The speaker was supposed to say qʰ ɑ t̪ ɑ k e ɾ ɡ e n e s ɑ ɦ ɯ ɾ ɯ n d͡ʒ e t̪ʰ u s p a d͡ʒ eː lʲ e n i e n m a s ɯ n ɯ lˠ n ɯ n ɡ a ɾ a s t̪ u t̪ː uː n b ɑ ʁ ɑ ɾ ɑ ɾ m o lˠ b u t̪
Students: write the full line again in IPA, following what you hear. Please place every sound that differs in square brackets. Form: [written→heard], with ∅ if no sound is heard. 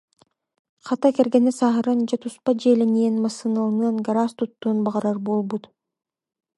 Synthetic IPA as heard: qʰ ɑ t̪ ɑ k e ɾ ɡ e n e s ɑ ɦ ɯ ɾ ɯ n d͡ʒ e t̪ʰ u s p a d͡ʒ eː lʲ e n i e n m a s ɯ n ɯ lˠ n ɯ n ɡ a ɾ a s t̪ u t̪ː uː n b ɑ ʁ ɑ ɾ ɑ ɾ [m→b] o lˠ b u t̪